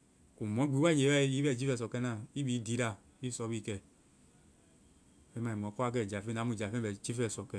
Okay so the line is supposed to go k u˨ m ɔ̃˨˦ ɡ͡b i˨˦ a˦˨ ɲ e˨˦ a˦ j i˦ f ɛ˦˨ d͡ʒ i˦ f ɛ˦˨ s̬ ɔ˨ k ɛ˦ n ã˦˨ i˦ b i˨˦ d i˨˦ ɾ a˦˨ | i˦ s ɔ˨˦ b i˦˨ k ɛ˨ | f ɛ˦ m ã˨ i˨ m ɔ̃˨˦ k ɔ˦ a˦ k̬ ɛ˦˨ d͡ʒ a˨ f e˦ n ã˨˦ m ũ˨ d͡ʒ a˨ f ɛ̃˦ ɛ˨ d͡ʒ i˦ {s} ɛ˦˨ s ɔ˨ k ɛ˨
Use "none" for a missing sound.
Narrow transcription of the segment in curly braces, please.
f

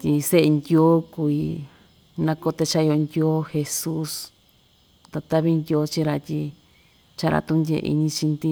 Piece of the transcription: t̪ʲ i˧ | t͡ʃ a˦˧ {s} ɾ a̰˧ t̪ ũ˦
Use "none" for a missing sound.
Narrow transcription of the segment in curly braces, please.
none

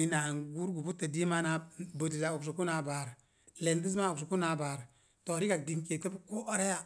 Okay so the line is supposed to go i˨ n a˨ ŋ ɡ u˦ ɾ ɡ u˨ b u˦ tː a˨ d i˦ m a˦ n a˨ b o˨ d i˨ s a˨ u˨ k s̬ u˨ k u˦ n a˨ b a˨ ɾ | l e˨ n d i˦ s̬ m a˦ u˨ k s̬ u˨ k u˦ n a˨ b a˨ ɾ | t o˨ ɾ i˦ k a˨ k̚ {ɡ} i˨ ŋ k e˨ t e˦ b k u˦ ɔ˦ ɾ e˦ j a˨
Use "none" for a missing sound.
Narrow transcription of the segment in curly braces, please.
d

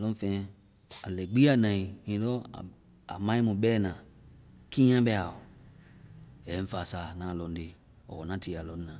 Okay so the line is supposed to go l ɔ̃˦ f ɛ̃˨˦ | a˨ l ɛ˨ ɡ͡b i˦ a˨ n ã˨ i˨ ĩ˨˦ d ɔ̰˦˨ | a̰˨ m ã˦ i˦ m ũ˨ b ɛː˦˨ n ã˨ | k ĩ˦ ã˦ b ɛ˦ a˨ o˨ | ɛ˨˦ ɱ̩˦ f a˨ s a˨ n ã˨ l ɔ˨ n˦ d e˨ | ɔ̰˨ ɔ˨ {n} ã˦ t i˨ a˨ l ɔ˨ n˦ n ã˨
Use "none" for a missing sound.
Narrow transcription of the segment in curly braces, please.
n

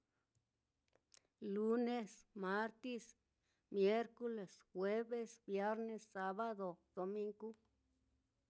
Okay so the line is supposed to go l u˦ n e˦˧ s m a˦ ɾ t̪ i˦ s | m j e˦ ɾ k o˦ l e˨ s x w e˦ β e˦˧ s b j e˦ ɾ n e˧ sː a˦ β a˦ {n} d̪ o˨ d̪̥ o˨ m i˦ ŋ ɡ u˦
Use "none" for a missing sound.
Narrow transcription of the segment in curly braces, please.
none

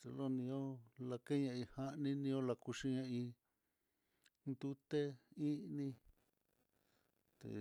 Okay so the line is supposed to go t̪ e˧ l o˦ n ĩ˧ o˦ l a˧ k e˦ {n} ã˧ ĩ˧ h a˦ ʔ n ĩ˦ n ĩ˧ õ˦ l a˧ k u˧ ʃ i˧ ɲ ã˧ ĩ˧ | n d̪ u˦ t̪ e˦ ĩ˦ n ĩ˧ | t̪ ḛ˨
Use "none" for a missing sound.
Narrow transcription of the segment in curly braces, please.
ɲ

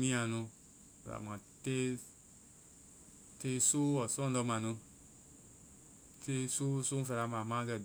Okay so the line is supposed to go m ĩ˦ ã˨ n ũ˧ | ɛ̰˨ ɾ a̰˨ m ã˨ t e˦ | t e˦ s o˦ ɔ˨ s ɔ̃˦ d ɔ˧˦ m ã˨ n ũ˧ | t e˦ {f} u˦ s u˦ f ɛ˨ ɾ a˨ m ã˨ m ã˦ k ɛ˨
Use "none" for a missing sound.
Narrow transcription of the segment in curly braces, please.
s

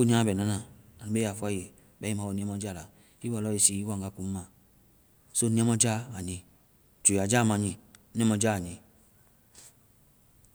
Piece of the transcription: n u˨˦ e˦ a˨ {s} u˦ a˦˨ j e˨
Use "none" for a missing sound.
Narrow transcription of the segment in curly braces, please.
f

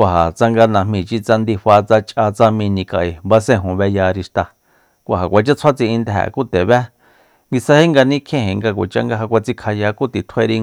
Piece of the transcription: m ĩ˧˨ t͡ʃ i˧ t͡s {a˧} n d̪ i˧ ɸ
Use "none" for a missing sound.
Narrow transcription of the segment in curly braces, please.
a˧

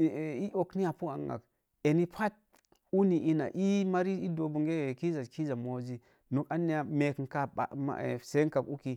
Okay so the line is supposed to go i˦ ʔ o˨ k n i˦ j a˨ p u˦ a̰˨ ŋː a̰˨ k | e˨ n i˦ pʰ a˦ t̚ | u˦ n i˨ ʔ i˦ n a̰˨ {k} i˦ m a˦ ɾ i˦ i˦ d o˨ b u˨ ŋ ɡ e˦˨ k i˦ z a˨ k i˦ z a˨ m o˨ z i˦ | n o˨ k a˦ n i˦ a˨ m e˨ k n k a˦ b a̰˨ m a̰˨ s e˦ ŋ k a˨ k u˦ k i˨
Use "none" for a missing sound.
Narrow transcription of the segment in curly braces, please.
ʔ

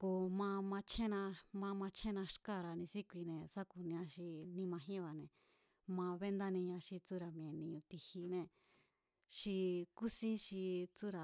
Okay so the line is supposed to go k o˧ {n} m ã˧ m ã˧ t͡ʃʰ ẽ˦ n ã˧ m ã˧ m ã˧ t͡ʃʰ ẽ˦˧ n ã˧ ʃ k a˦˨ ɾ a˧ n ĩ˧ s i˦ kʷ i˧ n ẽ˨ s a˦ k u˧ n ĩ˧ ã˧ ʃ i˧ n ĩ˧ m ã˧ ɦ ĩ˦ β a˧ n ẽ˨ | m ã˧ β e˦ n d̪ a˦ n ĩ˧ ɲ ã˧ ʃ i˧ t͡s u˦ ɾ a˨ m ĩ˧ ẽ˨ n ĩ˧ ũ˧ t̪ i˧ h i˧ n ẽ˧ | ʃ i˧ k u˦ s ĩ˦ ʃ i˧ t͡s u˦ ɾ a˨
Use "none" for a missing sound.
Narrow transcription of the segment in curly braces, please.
none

